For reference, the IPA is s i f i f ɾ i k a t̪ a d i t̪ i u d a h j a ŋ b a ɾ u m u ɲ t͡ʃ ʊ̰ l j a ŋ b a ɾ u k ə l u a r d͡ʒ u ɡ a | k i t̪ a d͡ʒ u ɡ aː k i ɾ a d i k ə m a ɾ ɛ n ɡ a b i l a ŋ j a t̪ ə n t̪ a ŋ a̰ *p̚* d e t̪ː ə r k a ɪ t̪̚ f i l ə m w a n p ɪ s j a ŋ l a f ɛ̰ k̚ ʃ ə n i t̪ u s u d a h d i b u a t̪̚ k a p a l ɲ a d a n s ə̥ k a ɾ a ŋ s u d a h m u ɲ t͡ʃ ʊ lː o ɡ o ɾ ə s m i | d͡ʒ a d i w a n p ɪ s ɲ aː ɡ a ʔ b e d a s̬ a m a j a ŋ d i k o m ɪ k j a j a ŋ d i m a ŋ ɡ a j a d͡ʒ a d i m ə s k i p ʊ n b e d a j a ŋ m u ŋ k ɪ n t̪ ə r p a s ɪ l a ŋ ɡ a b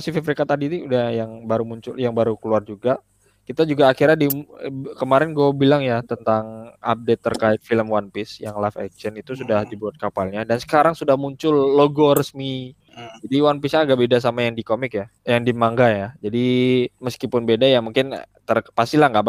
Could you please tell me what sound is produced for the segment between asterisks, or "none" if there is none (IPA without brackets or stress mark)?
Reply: p̚